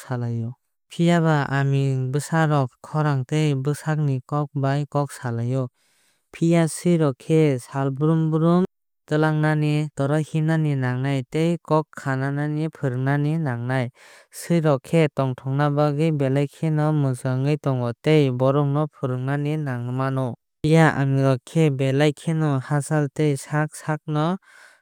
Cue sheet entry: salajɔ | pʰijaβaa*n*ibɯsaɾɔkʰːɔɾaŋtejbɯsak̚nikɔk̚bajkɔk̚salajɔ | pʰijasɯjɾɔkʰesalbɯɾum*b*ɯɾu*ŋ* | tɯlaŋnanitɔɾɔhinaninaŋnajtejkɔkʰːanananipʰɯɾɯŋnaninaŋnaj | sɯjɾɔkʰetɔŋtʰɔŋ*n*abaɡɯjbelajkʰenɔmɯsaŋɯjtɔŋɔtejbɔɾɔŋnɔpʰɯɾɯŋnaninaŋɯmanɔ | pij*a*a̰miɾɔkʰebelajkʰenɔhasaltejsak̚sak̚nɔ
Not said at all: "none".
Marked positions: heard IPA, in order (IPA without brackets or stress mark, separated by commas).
m, b, m, n, a